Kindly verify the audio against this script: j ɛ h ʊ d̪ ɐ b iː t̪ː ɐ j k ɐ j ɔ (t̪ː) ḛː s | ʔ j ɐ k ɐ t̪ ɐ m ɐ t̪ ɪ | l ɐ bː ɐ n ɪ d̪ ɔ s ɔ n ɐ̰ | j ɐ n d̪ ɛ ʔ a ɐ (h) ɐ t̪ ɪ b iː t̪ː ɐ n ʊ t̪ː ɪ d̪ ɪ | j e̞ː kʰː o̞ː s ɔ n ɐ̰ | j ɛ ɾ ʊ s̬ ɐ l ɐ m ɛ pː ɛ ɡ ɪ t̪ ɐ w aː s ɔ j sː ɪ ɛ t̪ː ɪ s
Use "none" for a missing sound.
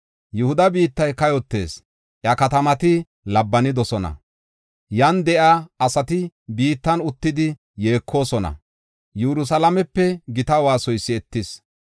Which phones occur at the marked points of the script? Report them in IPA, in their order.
t̪ː, s

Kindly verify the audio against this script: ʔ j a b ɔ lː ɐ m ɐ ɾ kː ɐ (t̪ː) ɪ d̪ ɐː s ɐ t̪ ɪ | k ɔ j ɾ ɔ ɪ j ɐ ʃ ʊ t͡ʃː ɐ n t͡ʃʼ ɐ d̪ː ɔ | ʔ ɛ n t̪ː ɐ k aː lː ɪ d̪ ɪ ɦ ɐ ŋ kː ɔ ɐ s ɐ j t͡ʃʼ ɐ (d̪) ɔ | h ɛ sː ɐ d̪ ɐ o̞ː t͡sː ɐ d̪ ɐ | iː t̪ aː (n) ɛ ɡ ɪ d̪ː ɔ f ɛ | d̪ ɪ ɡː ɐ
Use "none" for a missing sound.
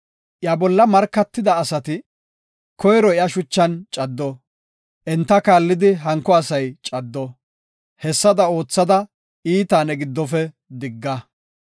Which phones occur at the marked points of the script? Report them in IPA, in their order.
t̪ː, d̪ː, n

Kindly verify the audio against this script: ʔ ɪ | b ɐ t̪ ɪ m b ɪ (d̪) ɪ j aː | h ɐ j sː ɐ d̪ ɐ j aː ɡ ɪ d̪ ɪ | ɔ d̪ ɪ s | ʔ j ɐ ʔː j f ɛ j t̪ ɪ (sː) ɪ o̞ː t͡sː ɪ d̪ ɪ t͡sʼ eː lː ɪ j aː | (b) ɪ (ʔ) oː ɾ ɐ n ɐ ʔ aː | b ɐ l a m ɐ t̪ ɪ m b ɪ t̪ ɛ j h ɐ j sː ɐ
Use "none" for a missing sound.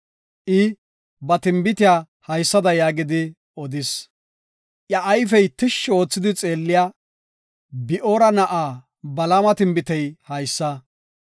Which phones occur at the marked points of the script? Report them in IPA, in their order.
t̪, ʃː, b, ʔ

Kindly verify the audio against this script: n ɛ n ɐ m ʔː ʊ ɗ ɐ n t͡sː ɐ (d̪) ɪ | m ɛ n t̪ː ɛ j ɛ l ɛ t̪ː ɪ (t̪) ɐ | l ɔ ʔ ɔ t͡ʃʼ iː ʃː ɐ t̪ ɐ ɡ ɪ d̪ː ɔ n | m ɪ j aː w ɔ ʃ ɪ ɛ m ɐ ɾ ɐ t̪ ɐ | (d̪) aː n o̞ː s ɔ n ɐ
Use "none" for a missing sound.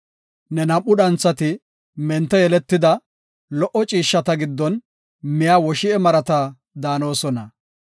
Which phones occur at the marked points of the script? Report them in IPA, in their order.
t̪, d̪, d̪

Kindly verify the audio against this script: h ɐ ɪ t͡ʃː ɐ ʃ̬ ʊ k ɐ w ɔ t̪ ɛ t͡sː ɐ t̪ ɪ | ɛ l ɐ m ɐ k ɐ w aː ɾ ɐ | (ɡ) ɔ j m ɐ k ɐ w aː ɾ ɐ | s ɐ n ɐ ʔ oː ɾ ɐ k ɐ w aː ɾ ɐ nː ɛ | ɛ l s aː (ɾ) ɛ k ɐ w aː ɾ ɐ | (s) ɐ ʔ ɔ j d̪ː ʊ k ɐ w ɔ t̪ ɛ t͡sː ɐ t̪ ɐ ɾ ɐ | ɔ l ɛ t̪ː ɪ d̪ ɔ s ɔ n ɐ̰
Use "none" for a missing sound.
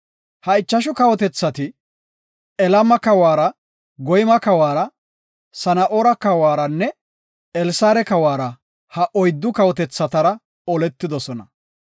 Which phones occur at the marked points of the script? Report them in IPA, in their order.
ɡ, ɾ, h

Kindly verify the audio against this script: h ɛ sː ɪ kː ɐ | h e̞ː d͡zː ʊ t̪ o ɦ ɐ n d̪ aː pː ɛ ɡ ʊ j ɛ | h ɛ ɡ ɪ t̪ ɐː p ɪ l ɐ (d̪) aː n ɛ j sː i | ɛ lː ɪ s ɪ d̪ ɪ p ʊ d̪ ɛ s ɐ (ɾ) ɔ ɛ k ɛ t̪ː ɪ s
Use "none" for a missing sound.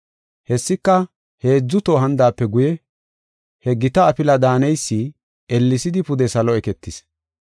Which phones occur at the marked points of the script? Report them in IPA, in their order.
d̪, l

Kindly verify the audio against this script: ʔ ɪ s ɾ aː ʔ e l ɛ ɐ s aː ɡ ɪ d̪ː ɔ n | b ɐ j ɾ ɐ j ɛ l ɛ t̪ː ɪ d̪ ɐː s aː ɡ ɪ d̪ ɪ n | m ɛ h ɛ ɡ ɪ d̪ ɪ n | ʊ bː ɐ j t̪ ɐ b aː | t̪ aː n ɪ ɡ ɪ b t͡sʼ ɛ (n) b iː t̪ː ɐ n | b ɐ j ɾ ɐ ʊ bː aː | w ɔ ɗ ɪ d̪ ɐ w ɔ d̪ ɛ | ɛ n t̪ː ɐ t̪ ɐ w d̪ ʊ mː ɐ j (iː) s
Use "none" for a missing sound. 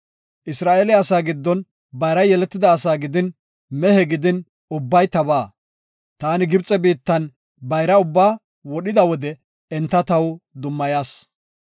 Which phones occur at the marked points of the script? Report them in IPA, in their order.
none, aː

